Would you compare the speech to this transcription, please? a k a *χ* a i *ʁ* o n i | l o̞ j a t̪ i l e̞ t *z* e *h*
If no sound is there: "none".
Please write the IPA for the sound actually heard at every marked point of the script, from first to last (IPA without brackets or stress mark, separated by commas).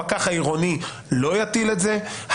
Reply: χ, ʁ, z, h